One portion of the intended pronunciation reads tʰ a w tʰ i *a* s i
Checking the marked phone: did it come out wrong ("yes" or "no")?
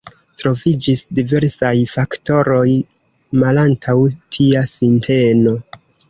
no